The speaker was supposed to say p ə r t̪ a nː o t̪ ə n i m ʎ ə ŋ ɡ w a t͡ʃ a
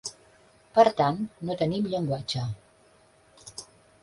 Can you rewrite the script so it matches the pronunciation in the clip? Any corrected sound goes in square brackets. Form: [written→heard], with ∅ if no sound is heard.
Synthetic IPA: p ə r t̪ a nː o t̪ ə n i m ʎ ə ŋ ɡ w a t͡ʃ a

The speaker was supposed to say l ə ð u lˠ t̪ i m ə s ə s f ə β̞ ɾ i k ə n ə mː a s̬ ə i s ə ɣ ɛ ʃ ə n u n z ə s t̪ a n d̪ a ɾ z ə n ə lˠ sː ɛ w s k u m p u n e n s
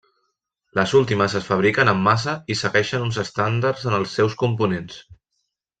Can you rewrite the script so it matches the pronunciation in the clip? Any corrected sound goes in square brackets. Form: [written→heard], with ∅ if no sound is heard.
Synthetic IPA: l ə [ð→z] u lˠ t̪ i m ə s ə s f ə β̞ ɾ i k ə n ə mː a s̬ ə i s ə ɣ ɛ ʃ ə n u n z ə s t̪ a n d̪ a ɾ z ə n ə lˠ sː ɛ w s k u m p u n e n s

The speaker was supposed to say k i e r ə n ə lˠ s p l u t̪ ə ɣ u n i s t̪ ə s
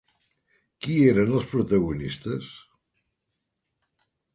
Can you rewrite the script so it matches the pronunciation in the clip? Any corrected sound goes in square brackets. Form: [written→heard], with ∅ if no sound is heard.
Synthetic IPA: k i e [r→ɾ] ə n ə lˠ s p [l→ɾ] u t̪ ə ɣ u n i s t̪ ə s

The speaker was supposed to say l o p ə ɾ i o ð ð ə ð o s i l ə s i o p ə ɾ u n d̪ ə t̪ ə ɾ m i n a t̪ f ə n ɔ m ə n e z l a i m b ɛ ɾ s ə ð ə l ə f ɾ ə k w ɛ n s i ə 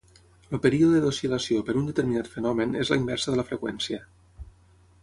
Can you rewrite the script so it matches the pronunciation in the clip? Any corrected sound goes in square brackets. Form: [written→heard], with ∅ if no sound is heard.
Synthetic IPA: l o p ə ɾ i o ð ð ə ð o s i l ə s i o p ə ɾ u n d̪ ə t̪ ə ɾ m i n a t̪ f ə n ɔ m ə n e z l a i m b ɛ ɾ s ə ð ə l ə f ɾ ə k w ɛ n s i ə

